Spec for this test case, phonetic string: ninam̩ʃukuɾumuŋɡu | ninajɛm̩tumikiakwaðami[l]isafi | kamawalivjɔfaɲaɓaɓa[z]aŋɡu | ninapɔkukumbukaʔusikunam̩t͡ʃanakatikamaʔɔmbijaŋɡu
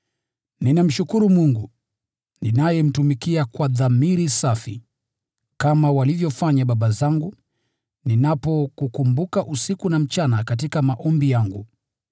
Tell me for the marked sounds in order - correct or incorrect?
incorrect, correct

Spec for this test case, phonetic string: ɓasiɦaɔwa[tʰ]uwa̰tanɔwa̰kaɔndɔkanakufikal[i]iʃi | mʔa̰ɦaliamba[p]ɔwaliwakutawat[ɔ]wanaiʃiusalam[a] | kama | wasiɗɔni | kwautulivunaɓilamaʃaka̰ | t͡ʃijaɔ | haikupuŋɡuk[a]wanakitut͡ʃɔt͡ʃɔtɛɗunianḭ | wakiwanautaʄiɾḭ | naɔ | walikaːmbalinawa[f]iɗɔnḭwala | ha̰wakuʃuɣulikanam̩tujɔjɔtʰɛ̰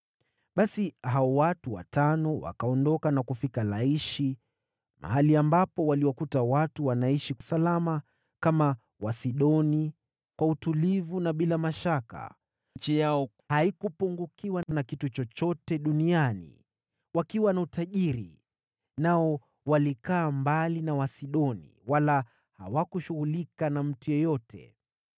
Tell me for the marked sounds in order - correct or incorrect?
incorrect, incorrect, correct, incorrect, correct, incorrect, incorrect

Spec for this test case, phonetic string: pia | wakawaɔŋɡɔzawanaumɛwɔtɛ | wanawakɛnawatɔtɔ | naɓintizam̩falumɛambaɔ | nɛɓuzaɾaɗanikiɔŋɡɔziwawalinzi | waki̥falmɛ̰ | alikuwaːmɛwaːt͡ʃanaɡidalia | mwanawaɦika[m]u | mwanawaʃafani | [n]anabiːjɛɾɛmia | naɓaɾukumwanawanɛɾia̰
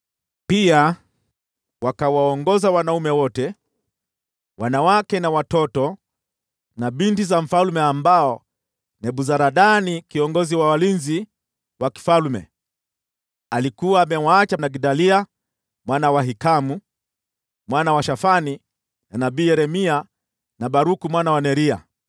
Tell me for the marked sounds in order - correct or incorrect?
correct, correct

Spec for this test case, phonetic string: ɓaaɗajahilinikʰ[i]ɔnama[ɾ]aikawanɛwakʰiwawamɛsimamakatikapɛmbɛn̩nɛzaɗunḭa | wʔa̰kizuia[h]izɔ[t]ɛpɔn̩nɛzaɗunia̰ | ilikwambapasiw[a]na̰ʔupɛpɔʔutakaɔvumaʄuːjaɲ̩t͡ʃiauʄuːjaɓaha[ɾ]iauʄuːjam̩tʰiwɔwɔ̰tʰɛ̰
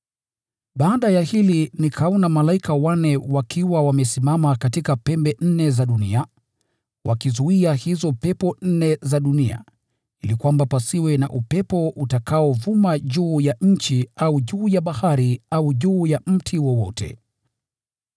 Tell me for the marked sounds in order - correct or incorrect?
incorrect, incorrect, correct, incorrect, incorrect, correct

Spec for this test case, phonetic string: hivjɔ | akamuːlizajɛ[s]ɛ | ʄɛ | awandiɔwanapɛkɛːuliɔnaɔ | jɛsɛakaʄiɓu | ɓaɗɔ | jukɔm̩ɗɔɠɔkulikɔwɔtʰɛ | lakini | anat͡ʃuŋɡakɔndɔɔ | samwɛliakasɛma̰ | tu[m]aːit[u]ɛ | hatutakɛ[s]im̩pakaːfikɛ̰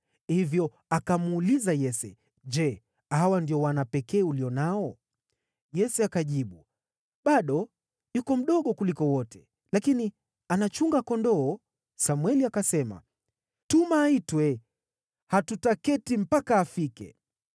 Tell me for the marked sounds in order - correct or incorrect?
correct, correct, incorrect, incorrect

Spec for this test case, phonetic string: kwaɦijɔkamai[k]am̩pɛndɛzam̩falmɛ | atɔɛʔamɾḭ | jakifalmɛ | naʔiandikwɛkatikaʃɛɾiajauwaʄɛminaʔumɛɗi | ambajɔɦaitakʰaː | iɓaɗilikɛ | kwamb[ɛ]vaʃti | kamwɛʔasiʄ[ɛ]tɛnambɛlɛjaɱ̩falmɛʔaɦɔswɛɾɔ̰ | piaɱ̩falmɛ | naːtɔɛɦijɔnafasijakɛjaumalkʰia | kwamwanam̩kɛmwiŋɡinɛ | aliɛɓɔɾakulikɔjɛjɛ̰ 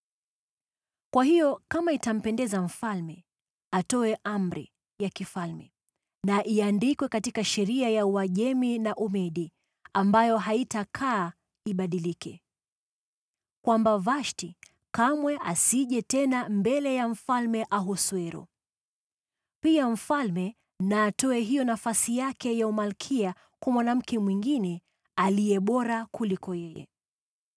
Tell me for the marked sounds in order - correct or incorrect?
incorrect, incorrect, correct

